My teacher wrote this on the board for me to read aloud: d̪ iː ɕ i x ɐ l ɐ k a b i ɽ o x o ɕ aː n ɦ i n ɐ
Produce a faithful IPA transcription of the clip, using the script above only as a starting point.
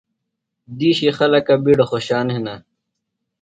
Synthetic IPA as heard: d̪ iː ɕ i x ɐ l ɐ k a b i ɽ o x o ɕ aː n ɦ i n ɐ